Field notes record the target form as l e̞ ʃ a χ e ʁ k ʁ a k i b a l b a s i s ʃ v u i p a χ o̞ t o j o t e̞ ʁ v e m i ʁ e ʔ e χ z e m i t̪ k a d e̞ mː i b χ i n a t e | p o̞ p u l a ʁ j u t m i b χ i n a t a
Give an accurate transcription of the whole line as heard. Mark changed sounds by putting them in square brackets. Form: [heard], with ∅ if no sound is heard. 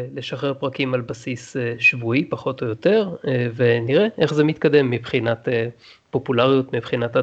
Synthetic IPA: l e̞ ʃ a χ e ʁ [p] ʁ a k i [m] a l b a s i s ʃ v u i p a χ o̞ t o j o t e̞ ʁ v e [n] i ʁ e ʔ e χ z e m i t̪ k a d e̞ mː i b χ i n a t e | p o̞ p u l a ʁ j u t m i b χ i n a t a